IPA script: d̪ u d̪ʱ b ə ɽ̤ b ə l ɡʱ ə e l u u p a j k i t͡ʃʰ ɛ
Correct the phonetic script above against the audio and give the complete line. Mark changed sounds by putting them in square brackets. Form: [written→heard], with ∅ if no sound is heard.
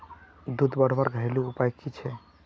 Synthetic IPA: d̪ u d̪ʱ b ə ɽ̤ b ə [l→ɾ] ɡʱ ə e l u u p a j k i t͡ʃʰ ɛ